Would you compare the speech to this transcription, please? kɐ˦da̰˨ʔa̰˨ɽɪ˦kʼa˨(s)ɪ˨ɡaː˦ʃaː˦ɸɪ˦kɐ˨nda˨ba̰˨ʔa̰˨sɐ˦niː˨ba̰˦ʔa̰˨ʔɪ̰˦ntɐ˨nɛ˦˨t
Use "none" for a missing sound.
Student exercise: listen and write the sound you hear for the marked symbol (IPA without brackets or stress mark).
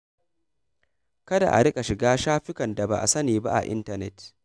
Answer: ʃ